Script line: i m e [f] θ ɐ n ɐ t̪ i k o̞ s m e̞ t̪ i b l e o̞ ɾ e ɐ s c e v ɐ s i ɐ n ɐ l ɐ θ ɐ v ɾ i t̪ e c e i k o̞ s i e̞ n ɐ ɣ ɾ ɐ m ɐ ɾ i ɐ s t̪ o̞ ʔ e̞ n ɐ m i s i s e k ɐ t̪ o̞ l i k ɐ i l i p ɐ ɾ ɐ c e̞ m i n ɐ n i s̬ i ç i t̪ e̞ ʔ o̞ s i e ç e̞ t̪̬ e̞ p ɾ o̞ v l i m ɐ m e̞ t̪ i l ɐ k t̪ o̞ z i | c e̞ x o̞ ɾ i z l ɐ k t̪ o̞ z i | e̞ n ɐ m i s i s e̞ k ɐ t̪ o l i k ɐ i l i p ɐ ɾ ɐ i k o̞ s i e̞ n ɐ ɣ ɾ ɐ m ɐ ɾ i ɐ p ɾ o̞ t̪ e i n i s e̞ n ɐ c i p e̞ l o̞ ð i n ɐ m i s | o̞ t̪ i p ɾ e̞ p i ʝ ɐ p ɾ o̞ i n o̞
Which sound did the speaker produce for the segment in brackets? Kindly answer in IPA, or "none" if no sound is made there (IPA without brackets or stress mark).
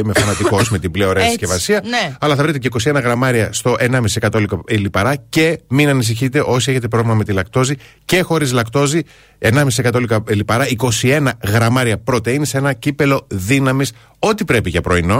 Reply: f